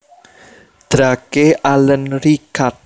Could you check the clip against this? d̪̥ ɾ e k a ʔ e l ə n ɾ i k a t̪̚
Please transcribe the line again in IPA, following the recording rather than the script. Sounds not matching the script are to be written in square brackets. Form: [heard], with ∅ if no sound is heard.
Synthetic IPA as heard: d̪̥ ɾ [a] k [e] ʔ [a] l ə n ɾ i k a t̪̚